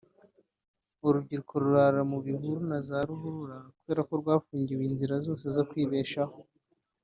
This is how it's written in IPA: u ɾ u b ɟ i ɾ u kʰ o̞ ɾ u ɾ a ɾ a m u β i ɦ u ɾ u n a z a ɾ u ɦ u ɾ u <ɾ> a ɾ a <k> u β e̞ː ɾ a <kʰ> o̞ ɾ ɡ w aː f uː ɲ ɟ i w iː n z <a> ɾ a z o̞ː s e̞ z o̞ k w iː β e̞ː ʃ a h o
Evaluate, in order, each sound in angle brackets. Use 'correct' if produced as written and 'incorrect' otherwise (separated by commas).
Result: correct, correct, incorrect, incorrect